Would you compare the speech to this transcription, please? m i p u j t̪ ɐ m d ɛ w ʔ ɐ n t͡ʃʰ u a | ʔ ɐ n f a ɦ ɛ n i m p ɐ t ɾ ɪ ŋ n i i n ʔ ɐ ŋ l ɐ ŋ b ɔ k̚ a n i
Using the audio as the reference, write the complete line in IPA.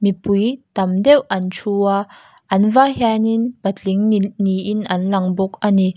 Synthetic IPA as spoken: m i p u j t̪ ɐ m d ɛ w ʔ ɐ n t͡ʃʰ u a | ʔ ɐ n v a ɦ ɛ n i n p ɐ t l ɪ ŋ n i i n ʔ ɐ n l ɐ ŋ b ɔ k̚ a n i